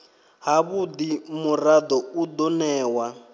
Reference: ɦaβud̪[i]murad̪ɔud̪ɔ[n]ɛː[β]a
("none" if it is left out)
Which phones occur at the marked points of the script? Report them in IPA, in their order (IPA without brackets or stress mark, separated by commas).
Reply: i, n, w